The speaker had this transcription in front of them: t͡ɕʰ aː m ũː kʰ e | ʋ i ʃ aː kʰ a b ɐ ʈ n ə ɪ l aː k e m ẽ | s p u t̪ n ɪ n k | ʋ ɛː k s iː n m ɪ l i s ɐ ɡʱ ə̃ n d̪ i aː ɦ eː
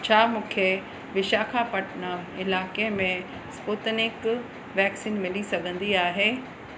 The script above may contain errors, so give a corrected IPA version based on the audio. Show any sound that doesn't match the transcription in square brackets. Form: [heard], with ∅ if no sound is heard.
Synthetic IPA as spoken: t͡ɕʰ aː m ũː kʰ e | ʋ [ɪ] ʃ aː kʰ a [p] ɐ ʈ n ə ɪ l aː k e m ẽ | s p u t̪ n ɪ [∅] k | ʋ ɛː k s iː n m ɪ l i s ɐ ɡʱ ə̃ n d̪ i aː ɦ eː